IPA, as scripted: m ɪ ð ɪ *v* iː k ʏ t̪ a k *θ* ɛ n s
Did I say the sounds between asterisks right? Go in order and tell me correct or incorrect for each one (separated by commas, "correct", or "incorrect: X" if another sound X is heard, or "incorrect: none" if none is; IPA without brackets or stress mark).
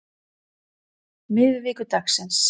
correct, incorrect: s